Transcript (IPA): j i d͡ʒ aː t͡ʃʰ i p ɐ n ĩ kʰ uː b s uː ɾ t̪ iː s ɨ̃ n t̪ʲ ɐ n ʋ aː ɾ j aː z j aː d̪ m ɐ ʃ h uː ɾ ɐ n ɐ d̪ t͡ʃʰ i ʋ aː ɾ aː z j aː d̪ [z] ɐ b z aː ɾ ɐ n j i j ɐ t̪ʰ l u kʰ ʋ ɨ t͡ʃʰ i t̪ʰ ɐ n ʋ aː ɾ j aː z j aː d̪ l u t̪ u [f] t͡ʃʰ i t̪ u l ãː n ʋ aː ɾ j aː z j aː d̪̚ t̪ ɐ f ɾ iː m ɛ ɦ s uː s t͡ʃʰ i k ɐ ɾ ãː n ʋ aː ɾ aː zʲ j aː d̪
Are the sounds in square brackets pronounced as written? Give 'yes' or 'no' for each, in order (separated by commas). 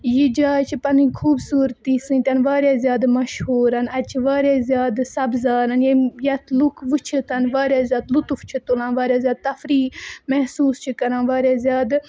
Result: no, yes